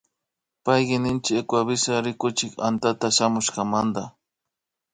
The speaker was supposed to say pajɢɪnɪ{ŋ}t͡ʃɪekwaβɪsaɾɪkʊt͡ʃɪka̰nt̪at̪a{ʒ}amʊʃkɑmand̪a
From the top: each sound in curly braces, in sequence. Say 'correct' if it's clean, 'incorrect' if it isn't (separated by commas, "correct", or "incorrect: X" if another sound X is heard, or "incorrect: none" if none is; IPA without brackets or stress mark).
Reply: incorrect: n, incorrect: ʃ